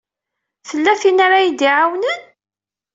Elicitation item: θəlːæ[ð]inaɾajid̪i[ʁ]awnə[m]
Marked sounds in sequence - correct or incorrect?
incorrect: θ, incorrect: ʕ, incorrect: n

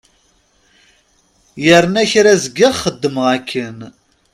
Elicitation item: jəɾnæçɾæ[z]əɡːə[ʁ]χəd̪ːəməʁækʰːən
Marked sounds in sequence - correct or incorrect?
correct, correct

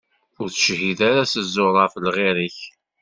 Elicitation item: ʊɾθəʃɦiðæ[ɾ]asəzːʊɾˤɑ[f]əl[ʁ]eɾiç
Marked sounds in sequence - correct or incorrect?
correct, correct, correct

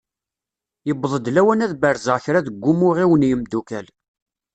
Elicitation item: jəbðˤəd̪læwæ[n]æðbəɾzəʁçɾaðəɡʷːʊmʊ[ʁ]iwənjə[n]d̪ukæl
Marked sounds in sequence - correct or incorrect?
correct, correct, incorrect: m

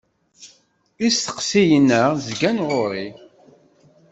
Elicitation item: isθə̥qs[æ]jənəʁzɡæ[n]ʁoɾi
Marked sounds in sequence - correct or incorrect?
incorrect: i, correct

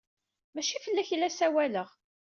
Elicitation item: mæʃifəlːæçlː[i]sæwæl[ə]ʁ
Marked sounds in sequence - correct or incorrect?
incorrect: æ, correct

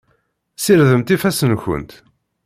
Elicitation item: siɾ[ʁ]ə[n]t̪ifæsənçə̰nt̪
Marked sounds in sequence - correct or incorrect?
incorrect: ð, incorrect: m

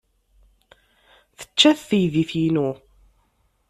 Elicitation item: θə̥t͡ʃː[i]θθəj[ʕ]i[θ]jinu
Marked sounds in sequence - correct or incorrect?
incorrect: æ, incorrect: ð, correct

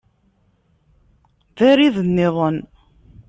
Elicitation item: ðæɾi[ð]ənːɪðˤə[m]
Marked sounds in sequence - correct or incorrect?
correct, incorrect: n

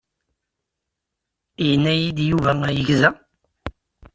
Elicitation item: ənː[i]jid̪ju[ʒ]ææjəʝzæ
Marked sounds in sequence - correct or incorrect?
incorrect: æ, incorrect: v

